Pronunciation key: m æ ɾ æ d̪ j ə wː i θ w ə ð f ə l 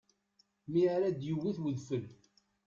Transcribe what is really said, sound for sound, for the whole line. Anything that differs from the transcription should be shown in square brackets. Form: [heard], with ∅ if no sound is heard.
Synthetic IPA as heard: m [i] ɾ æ d̪ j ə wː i θ w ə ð f ə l